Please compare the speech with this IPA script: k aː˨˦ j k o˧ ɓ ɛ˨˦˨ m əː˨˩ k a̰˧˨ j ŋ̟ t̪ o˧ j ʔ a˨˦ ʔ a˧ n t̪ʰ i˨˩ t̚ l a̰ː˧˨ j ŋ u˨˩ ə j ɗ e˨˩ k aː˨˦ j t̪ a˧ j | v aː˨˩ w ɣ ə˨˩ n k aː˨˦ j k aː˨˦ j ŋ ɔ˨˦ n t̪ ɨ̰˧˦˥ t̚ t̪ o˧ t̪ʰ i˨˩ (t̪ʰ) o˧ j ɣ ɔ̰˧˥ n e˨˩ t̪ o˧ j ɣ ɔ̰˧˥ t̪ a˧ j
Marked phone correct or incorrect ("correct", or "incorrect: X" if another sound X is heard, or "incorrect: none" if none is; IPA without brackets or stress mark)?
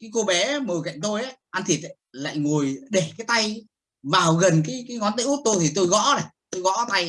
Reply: incorrect: t̪